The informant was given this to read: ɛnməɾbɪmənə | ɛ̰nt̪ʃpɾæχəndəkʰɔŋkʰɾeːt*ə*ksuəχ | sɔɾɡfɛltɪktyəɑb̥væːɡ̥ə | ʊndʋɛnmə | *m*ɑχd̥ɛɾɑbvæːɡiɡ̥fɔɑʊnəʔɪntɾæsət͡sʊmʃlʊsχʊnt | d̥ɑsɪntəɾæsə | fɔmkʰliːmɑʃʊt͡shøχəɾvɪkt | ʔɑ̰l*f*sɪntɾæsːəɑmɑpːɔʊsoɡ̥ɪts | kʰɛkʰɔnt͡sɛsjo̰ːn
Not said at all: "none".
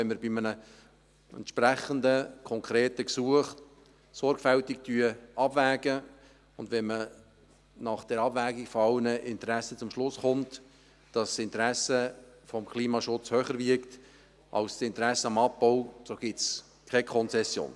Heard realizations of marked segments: ə, n, s

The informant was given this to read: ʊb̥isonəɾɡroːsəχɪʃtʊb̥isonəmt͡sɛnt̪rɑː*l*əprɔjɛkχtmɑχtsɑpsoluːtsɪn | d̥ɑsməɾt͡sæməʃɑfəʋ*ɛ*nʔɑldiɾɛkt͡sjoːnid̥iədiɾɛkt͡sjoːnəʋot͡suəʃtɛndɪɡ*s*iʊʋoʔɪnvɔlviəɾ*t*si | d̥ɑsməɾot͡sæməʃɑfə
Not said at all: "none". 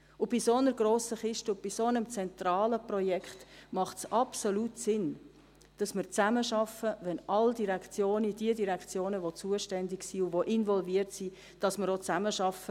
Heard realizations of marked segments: l, ɛ, s, t

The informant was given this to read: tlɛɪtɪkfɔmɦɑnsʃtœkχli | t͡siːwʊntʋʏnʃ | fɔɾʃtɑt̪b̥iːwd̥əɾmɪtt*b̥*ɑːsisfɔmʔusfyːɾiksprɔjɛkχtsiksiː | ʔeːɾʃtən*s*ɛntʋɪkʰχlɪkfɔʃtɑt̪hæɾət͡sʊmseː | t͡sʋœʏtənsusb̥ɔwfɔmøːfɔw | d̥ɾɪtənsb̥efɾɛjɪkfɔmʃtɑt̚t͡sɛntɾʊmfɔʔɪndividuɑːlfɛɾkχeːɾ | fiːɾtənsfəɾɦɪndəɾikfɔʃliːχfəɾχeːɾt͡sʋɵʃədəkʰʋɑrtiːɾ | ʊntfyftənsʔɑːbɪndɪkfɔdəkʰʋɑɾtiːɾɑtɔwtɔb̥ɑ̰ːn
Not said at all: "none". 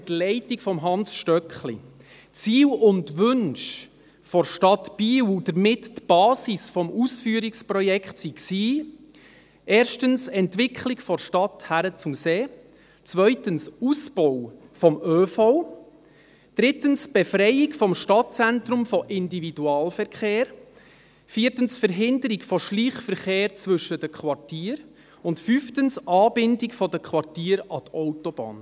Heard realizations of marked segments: b̥, s

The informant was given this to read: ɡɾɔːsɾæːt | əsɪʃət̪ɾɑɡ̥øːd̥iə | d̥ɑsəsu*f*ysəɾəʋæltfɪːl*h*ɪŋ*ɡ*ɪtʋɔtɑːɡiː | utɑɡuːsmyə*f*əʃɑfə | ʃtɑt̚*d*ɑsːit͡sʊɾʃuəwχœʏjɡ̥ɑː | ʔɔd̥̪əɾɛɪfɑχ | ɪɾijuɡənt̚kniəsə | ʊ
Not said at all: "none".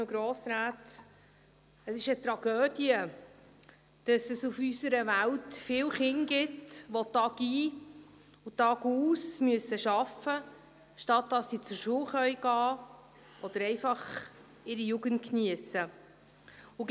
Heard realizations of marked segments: f, χ, ɡ, s, d

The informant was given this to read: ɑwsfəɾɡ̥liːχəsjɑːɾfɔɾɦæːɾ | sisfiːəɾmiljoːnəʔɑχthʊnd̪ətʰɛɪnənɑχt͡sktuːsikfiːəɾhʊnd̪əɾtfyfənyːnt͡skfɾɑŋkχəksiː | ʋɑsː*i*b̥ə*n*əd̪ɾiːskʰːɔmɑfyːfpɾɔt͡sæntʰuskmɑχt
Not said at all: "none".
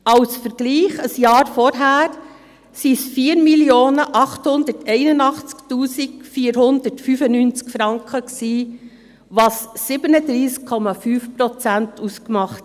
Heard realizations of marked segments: ɪ, n

